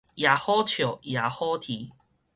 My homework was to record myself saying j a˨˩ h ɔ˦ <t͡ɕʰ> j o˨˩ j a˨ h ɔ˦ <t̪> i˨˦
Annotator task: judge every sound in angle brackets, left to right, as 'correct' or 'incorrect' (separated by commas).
correct, incorrect